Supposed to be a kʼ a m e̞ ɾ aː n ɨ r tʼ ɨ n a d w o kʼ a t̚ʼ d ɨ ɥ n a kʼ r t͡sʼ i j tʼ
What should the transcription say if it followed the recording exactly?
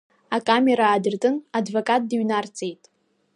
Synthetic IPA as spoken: a kʼ a m e̞ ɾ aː d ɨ r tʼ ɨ n a d v o kʼ a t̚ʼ d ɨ ɥ n a r t͡sʼ e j tʼ